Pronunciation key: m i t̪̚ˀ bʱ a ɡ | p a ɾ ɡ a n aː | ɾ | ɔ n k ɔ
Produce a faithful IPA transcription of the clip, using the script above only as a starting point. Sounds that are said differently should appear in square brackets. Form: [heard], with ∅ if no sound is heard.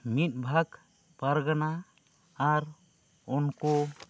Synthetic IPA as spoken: m i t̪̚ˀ bʱ a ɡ | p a ɾ ɡ a n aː | ɾ | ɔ n k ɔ